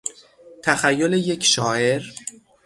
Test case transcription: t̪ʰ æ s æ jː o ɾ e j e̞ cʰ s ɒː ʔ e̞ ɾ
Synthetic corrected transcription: t̪ʰ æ x æ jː o l e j e̞ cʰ ʃ ɒː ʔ e̞ ɾ